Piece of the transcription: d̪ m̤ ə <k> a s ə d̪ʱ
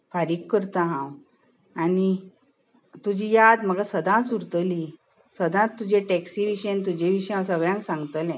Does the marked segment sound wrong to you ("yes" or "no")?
yes